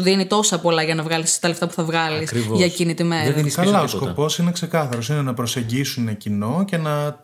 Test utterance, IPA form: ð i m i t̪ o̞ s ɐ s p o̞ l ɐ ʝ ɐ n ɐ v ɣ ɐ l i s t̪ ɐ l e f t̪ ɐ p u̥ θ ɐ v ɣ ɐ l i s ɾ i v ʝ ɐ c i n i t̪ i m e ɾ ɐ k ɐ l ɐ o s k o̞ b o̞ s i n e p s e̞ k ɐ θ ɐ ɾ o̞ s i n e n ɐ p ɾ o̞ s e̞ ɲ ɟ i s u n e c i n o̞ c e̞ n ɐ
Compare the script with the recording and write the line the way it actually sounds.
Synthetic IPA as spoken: ð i n i t̪ o̞ s ɐ p o̞ l ɐ ʝ ɐ n ɐ v ɣ ɐ l i s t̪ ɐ l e f t̪ ɐ p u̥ θ ɐ v ɣ ɐ l i s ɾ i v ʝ ɐ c i n i t̪ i m e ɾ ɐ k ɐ l ɐ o s k o̞ p o̞ s i n e k s e̞ k ɐ θ ɐ ɾ o̞ s i n e n ɐ p ɾ o̞ s e̞ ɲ ɟ i s u n e c i n o̞ c e̞ n ɐ